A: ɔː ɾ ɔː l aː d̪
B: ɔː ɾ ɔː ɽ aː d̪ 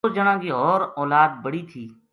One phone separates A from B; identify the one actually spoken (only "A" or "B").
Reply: A